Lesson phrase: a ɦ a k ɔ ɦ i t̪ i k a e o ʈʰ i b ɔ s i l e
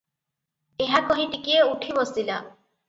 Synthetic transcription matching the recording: e ɦ a k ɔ ɦ i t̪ i k i e u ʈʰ i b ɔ s i l a